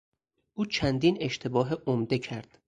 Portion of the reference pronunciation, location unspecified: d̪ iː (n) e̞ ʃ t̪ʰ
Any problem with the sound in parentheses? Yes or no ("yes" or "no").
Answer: no